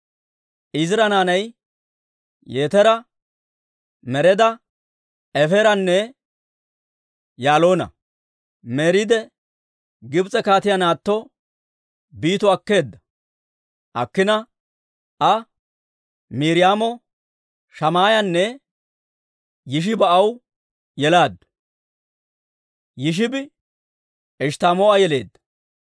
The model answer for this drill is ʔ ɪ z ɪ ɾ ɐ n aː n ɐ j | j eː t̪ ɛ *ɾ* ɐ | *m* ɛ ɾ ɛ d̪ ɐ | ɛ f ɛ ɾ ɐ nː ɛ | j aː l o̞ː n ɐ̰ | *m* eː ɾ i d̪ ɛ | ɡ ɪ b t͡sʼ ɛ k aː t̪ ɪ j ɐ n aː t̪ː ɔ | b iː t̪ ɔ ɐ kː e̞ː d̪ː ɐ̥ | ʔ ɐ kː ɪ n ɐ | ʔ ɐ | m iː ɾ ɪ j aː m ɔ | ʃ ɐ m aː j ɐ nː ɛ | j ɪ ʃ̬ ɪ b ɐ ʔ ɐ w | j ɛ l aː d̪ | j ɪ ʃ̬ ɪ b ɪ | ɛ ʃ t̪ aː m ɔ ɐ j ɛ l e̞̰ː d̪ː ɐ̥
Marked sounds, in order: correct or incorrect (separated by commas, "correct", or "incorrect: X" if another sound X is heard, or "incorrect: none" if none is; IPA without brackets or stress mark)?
correct, correct, correct